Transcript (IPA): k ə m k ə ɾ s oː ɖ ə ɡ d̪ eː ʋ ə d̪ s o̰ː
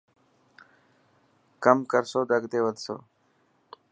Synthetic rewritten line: k ə m k ə ɾ s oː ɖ ə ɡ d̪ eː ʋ ə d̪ s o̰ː